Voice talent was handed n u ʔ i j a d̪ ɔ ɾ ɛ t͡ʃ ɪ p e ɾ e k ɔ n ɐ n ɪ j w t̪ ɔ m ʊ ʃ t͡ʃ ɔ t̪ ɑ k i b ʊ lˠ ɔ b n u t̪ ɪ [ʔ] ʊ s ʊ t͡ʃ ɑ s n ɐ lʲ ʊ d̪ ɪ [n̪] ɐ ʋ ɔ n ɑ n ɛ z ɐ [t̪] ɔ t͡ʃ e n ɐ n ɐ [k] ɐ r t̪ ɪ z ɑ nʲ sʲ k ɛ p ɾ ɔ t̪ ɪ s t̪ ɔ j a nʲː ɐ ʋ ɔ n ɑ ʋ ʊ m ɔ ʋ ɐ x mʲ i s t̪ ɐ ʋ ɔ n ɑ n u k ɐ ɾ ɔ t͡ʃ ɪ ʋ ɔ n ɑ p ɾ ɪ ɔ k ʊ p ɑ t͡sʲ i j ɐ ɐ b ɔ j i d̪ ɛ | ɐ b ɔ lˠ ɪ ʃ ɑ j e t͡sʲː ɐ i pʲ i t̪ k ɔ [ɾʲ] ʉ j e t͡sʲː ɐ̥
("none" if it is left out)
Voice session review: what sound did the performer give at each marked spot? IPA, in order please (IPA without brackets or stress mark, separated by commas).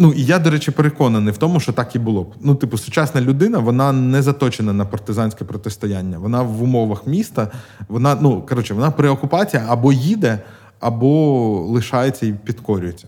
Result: p, n̪, t̪, p, ɾʲ